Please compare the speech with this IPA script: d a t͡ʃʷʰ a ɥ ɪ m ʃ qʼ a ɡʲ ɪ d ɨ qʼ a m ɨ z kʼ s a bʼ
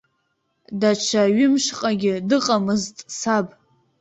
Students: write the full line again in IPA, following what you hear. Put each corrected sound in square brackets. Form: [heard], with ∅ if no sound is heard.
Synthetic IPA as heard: d a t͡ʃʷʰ a ɥ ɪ m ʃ qʼ a ɡʲ ɪ d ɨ qʼ a m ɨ z [tʼ] s a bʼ